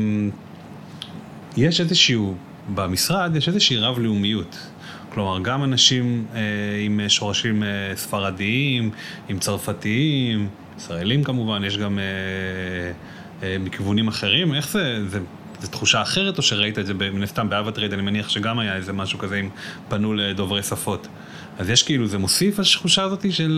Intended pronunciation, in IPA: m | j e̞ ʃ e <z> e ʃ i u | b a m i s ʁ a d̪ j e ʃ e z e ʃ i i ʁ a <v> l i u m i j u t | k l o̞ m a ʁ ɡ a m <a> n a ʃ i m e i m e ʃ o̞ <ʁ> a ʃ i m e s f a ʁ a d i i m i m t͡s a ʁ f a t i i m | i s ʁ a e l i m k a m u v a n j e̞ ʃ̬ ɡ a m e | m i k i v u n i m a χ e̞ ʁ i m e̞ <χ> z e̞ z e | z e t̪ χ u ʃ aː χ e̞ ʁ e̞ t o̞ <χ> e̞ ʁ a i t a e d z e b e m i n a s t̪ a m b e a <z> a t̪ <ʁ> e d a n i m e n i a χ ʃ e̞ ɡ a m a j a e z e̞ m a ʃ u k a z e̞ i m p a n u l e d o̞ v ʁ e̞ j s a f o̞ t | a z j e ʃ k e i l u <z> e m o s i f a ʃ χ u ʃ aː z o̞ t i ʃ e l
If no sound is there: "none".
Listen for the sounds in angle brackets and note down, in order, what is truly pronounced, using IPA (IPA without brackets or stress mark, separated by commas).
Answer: z, v, a, ʁ, χ, ʃ, v, ʁ, z